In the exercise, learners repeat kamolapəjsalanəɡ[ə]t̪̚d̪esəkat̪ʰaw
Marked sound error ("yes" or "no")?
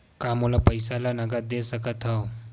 yes